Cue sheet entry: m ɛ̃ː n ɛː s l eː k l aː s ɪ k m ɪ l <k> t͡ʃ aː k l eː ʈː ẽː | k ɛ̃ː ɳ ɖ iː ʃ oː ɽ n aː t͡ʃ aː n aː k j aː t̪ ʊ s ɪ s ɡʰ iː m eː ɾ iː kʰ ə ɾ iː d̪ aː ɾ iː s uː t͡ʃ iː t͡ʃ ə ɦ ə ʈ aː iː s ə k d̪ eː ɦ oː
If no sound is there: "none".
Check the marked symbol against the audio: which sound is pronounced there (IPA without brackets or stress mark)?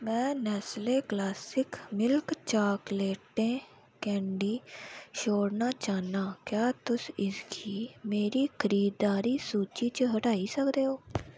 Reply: k